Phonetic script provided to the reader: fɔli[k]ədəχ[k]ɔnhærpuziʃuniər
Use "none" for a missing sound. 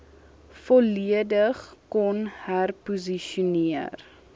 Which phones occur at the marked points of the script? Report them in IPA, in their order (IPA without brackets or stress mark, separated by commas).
none, k